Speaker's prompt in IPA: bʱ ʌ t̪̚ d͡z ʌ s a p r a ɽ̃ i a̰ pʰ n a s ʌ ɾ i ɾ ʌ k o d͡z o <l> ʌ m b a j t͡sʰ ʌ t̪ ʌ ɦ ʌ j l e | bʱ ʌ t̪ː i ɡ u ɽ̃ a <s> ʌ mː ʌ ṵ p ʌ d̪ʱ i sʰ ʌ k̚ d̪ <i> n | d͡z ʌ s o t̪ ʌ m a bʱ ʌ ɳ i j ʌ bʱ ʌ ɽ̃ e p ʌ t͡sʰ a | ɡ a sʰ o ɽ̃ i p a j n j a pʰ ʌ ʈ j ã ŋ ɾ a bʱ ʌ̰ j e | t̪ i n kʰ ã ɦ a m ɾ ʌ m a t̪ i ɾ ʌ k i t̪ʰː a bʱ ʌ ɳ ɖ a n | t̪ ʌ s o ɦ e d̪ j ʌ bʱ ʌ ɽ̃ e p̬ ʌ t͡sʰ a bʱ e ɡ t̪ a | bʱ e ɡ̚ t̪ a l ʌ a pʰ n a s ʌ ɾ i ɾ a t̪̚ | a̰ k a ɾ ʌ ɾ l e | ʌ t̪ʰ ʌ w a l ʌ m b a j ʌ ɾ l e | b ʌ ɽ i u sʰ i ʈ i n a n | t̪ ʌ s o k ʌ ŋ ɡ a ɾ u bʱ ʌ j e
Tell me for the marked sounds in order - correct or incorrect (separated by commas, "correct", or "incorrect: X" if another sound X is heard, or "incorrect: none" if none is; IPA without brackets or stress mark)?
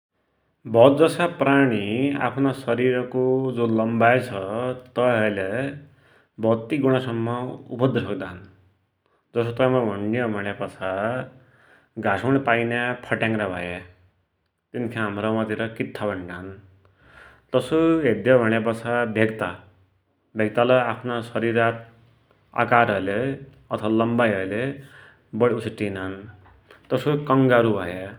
correct, correct, incorrect: a